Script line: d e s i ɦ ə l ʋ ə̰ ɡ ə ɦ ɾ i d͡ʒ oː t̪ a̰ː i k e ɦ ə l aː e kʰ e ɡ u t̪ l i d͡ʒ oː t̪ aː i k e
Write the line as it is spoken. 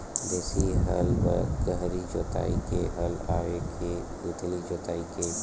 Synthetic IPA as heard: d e s i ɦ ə l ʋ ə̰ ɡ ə ɦ ɾ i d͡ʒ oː t̪ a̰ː i k e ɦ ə l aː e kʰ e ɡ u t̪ l i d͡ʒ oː t̪ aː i k e